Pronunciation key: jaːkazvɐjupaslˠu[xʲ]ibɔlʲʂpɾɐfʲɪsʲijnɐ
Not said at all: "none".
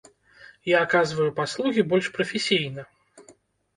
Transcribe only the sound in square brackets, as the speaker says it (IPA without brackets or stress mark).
ɣʲ